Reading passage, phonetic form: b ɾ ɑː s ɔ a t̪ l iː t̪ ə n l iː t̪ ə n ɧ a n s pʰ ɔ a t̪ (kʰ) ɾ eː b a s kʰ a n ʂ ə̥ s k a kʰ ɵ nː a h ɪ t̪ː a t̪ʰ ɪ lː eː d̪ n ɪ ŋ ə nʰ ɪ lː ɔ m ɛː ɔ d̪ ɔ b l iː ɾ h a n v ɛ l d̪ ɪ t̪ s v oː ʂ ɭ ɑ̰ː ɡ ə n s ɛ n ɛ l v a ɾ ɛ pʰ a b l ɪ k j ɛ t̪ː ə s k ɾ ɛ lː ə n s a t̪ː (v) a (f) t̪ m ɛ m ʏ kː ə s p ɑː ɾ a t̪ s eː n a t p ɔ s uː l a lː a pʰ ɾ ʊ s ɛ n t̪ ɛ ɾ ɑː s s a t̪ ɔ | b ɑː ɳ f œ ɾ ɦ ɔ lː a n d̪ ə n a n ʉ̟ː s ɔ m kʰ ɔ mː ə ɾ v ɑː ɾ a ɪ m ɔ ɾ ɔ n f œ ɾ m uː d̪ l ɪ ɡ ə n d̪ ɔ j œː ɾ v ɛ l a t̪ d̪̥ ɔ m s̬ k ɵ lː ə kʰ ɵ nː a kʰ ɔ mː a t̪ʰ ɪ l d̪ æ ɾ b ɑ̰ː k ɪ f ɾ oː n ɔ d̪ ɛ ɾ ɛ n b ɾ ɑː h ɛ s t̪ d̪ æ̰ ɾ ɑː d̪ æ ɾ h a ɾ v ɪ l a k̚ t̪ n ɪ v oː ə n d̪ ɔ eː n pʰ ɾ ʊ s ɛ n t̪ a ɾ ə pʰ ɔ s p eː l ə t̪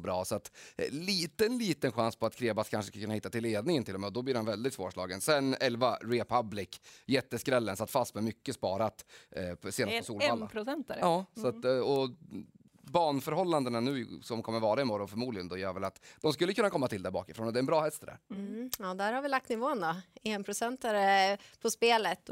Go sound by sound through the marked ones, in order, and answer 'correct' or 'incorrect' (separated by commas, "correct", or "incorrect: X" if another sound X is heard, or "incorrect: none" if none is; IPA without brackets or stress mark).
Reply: correct, incorrect: f, incorrect: s